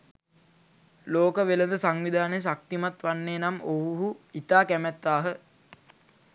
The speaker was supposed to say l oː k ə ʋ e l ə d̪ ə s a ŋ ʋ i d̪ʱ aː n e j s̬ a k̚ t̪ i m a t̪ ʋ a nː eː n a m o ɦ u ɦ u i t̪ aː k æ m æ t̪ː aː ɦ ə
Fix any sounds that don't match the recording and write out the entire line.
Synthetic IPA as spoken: l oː k ə ʋ e l ə d̪ ə s a ŋ ʋ i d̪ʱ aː n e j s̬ a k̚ t̪ i m a t̪ ʋ a nː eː n a m o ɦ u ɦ u i t̪ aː k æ m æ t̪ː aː ɦ ə